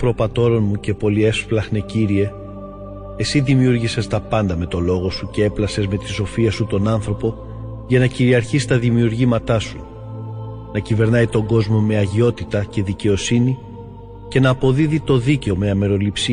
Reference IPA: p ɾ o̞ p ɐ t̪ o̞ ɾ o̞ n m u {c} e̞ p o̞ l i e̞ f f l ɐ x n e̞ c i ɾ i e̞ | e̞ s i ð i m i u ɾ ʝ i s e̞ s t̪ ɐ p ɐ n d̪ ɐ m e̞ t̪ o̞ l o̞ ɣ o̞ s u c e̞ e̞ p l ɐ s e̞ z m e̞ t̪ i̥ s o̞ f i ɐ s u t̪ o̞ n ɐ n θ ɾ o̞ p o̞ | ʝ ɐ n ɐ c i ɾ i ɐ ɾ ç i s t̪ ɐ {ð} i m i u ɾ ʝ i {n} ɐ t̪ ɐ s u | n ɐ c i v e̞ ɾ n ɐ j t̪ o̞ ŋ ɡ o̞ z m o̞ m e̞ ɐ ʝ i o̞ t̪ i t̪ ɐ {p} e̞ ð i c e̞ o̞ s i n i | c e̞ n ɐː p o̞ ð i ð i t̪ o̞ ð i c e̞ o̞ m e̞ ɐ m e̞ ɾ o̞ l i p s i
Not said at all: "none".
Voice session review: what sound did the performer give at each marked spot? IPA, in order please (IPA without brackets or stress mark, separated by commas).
c, ð, m, c